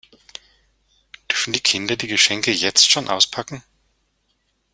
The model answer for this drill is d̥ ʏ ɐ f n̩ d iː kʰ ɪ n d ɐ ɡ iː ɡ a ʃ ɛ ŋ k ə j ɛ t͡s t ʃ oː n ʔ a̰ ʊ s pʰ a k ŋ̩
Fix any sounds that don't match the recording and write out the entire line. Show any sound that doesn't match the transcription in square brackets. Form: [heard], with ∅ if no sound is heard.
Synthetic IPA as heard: d̥ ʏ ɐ f n̩ d iː kʰ ɪ n d ɐ [d] iː ɡ [ə] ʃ ɛ ŋ k ə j ɛ t͡s t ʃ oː n ʔ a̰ ʊ s pʰ a k ŋ̩